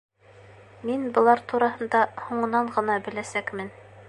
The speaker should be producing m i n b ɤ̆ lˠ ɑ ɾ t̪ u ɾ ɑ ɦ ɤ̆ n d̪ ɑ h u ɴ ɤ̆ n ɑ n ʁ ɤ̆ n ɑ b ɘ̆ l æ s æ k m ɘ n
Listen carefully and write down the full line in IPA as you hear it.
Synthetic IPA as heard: m i n b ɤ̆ lˠ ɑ ɾ t̪ u ɾ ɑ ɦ ɤ̆ n d̪ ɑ h u ɴ ɤ̆ n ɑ ɴ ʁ ɤ̆ n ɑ b ɘ̆ l æ s æ k m ɘ n